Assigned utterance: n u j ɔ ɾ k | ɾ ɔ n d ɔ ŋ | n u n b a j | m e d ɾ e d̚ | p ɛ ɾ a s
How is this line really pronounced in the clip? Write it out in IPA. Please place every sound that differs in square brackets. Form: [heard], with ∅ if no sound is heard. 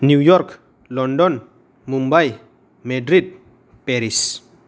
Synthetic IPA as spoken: n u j ɔ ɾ k | [l] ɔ n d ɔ [n] | [m] u [m] b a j | m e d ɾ [i] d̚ | p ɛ ɾ [i] s